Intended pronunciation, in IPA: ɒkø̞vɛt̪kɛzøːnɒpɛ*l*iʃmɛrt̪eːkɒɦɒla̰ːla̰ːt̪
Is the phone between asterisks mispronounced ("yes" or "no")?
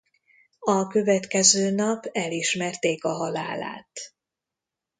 no